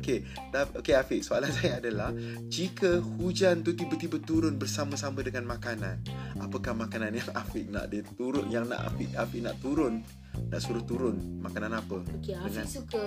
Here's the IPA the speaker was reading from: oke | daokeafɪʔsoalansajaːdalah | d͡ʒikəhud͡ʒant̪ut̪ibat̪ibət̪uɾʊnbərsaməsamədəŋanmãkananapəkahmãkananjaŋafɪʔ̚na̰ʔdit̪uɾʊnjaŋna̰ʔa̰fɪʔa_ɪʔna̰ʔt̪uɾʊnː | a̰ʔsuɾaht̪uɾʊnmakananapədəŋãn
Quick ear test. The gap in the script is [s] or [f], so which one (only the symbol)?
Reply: f